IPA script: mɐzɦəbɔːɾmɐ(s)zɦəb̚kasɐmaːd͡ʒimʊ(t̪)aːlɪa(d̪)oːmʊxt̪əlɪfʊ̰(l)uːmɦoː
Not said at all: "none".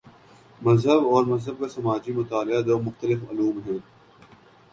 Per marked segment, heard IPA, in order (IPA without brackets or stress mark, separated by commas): none, t̪, d̪, l